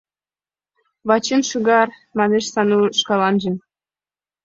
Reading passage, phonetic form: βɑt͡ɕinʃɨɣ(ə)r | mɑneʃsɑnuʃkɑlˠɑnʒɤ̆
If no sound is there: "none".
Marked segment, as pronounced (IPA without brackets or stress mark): ɑ